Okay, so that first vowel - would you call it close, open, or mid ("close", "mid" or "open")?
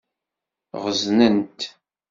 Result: mid